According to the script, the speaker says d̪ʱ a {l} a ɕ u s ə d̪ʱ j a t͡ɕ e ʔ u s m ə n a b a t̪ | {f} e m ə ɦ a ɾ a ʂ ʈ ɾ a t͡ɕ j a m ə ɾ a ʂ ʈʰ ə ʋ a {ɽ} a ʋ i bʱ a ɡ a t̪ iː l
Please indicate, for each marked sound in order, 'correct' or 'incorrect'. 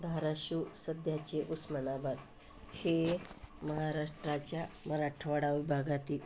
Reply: incorrect, incorrect, correct

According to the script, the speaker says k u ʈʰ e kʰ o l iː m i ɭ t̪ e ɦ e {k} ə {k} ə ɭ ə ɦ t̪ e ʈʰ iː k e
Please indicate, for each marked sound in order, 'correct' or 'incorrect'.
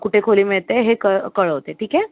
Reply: correct, correct

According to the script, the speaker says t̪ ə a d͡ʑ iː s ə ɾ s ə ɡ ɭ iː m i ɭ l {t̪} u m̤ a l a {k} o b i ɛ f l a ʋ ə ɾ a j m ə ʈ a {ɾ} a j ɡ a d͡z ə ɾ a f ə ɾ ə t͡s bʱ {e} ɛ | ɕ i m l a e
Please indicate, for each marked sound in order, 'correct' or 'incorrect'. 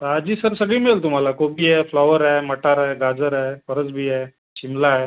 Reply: correct, correct, correct, incorrect

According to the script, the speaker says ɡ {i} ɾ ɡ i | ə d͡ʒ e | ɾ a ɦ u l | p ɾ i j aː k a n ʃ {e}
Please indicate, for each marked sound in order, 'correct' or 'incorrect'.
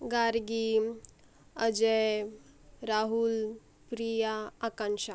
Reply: incorrect, incorrect

